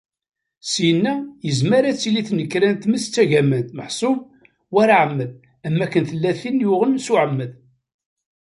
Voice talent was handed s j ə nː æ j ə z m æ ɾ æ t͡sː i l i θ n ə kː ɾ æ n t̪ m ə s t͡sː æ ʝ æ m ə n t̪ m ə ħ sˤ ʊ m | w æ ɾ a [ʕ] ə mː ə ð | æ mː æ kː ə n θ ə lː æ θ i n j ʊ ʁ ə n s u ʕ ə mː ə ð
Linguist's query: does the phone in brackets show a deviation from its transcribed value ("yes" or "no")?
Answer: no